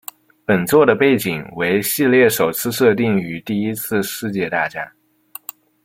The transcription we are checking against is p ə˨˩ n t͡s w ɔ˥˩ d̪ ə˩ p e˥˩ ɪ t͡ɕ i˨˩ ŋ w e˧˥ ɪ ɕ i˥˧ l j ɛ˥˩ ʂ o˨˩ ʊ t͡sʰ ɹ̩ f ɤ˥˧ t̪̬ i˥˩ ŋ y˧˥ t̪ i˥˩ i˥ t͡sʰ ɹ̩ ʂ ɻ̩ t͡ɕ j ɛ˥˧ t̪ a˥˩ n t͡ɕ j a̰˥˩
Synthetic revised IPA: p ə˨˩ n t͡s w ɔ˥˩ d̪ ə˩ p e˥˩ ɪ t͡ɕ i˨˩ ŋ w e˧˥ ɪ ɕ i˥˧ l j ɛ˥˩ ʂ o˨˩ ʊ t͡sʰ ɹ̩ ʂ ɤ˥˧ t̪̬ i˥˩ ŋ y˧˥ t̪ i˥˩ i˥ t͡sʰ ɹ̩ ʂ ɻ̩ t͡ɕ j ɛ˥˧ t̪ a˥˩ t͡ɕ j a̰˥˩